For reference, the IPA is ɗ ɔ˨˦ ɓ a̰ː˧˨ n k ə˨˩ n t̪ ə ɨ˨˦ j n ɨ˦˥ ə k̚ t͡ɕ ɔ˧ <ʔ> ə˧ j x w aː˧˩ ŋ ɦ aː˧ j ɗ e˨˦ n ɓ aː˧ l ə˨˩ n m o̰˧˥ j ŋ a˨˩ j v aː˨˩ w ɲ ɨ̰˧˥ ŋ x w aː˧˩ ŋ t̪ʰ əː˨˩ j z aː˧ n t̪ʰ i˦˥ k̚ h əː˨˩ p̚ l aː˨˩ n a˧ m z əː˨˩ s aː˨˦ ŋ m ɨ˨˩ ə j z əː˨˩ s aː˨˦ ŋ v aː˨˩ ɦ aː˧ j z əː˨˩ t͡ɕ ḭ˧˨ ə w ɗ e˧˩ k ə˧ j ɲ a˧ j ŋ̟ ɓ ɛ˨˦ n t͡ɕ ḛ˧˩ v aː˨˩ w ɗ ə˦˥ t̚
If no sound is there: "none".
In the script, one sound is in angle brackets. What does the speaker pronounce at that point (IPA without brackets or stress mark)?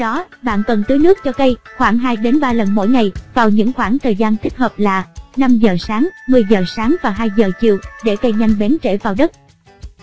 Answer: k